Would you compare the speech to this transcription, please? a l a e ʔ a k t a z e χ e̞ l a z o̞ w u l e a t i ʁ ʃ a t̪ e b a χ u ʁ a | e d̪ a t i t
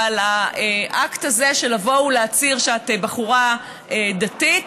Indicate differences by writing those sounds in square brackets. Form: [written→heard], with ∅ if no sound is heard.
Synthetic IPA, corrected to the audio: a l a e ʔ a k t a z e [χ→ʃ] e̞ l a [z→v] o̞ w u l e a [t→t͡s] i ʁ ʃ a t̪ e b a χ u ʁ a | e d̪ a t i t